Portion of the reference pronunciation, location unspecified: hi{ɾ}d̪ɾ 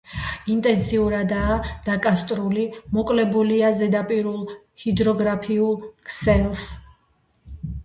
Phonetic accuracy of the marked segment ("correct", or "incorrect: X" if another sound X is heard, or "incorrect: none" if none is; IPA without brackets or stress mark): incorrect: none